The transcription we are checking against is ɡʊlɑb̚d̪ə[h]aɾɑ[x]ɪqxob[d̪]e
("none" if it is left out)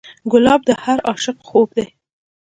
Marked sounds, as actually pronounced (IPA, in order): h, ʃ, d̪

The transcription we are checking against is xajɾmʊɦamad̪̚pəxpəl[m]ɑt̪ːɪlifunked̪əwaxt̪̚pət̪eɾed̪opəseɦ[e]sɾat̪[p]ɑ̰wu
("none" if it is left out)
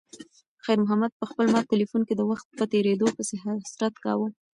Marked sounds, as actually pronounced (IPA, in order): m, a, k

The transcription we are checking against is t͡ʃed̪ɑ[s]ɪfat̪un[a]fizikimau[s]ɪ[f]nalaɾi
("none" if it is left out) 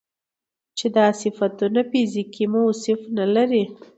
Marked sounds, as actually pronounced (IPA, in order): s, a, s, f

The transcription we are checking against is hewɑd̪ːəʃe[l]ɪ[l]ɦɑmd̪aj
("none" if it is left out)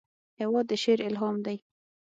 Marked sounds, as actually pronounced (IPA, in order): ɾ, l

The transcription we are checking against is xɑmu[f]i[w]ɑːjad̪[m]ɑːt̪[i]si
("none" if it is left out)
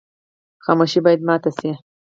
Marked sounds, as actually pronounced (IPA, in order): ʃ, b, m, a

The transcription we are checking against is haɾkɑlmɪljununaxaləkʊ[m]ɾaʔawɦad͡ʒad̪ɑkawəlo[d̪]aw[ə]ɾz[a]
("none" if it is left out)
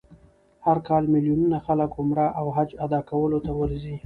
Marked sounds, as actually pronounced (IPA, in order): m, t̪, ə, i

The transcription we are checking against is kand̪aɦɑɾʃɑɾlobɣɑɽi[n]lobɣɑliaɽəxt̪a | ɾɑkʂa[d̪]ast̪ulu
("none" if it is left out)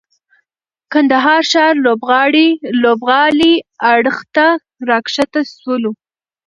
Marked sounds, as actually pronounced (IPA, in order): none, t̪

